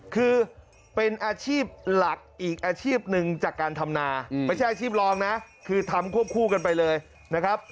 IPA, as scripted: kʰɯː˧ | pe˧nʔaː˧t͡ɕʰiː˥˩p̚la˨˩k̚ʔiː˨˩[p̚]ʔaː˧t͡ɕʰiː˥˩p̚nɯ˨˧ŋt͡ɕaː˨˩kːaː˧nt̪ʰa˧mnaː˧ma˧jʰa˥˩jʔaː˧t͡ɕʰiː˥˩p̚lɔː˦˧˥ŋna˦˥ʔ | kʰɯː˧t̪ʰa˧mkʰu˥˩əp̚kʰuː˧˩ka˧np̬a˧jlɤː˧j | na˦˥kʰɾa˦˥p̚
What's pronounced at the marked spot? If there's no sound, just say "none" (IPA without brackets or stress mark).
k̚